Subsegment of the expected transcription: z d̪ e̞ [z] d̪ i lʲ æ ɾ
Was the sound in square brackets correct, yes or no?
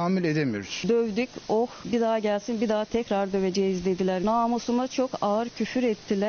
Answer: no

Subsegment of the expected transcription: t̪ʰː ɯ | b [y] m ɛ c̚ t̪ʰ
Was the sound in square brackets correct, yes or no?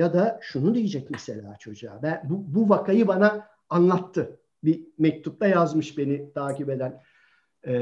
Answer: no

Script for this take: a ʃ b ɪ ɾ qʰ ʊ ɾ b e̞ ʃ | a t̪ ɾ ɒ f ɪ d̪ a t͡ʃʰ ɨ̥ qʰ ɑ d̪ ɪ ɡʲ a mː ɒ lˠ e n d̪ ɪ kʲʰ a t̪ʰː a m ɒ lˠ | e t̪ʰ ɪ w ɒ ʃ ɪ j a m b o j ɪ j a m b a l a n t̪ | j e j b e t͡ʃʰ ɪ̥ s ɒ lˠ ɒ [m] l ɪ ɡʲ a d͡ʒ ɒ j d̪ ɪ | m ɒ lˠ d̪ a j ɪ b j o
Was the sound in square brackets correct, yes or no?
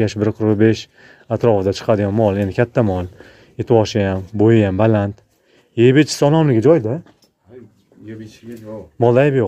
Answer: yes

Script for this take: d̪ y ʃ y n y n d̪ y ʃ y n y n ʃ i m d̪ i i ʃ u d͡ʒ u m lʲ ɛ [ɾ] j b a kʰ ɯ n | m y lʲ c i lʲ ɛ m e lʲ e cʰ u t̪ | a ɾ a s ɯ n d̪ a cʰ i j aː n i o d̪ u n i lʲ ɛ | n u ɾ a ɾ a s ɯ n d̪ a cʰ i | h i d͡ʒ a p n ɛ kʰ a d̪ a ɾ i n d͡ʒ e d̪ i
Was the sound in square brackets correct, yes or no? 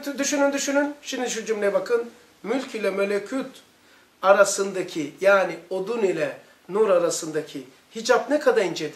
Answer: no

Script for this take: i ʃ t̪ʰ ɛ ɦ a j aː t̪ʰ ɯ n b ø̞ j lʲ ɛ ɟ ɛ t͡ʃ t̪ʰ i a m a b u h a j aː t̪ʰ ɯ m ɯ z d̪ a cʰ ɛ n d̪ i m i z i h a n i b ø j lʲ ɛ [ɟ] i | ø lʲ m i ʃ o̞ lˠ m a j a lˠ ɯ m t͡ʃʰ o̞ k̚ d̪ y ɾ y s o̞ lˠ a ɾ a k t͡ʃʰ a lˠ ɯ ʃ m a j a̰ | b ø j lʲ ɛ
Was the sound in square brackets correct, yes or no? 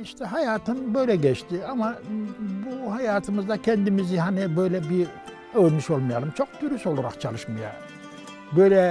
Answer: no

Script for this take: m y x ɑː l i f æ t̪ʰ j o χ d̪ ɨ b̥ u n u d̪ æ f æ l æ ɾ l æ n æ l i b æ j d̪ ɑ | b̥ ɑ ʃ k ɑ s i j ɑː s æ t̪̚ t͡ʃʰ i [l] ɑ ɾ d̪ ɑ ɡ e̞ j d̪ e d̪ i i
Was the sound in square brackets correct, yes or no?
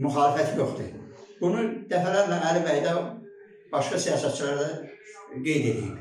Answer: yes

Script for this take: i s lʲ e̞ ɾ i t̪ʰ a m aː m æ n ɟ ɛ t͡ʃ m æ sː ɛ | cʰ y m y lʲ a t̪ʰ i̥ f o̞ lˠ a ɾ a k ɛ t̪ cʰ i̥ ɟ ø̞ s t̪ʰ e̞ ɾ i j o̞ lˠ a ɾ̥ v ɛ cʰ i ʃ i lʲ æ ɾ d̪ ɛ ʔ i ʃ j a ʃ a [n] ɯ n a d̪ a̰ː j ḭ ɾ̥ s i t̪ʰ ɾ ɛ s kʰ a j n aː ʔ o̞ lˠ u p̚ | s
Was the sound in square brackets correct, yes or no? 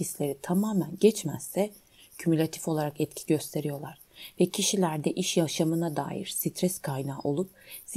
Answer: no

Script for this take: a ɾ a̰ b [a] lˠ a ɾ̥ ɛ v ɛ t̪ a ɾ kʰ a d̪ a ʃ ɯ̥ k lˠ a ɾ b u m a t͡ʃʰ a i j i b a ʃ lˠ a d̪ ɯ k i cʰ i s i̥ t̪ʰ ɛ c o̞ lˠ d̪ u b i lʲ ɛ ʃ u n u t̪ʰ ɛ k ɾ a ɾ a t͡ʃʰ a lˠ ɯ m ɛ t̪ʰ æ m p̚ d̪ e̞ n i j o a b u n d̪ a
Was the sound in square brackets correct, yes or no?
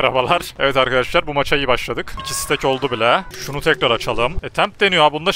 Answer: yes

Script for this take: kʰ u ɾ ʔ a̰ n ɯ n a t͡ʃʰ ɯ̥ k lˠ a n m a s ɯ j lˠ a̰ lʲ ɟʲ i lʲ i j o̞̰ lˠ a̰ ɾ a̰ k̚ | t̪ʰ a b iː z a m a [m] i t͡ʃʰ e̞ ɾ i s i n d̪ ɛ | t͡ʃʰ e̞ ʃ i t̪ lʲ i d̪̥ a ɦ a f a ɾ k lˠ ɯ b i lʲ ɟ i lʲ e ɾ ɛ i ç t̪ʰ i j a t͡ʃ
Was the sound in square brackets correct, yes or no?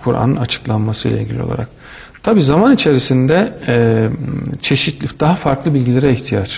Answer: no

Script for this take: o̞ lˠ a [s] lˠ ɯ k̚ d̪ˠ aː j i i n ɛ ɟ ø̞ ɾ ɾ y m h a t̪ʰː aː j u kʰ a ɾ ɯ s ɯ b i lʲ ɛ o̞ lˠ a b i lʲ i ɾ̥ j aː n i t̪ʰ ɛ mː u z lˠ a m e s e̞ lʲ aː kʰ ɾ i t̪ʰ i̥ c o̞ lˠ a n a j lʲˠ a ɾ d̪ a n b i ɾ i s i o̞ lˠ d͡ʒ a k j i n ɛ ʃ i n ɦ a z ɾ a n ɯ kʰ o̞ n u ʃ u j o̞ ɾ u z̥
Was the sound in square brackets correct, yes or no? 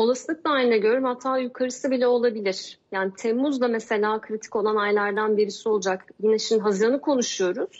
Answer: yes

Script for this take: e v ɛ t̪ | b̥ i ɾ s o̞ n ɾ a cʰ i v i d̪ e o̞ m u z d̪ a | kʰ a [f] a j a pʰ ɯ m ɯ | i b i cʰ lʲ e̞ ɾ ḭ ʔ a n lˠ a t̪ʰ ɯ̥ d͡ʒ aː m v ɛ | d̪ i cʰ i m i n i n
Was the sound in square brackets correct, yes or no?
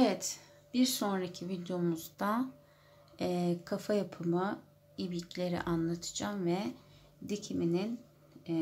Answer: yes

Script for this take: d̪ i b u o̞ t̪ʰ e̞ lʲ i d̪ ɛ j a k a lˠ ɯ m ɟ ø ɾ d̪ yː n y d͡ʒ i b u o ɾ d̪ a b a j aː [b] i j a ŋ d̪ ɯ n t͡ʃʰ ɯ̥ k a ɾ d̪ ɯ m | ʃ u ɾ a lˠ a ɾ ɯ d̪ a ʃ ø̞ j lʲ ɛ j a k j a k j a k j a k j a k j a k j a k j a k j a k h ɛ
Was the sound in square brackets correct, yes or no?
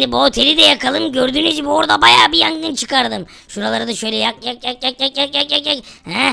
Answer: yes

